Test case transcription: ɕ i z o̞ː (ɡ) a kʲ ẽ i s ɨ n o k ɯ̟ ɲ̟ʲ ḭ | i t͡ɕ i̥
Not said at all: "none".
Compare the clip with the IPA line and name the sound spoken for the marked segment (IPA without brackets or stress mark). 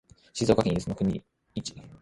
k